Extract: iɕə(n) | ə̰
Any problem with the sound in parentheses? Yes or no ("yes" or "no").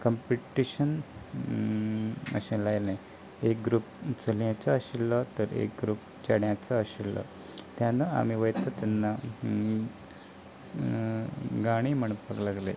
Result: no